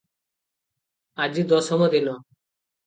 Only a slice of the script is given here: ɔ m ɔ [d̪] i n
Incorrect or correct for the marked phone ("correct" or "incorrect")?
correct